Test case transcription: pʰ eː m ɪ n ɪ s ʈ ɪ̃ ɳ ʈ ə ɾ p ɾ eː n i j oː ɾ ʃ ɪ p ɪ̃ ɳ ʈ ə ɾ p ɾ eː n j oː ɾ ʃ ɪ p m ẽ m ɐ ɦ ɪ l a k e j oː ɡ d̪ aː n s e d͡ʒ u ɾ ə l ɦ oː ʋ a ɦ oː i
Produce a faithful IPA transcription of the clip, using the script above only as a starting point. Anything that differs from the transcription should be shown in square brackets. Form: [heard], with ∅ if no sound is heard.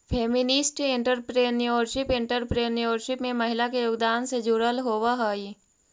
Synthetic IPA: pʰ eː m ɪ n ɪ s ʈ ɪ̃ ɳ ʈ ə ɾ p ɾ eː n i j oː ɾ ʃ ɪ p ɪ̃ ɳ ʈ ə ɾ p ɾ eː n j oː ɾ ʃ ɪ p m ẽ m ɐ ɦ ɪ l a k e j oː ɡ d̪ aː n s e d͡ʒ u ɾ ə l ɦ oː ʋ a ɦ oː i